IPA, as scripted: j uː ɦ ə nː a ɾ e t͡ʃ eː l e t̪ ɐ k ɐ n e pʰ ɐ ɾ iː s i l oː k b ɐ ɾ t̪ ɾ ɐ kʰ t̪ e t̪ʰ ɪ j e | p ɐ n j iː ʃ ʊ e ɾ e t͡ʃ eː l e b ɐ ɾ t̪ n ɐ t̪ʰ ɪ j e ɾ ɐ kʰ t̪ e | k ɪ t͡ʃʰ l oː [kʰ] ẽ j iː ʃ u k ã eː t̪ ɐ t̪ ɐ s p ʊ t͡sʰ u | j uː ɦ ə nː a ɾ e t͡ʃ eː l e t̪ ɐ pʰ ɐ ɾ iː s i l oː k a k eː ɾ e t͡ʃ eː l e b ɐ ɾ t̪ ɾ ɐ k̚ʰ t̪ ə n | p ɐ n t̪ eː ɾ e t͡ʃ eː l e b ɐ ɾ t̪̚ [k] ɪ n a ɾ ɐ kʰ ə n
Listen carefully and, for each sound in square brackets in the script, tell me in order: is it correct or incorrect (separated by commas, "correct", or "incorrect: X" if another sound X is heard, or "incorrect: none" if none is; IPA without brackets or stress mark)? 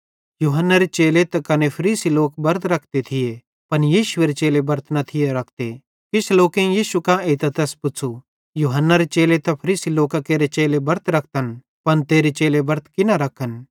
incorrect: k, correct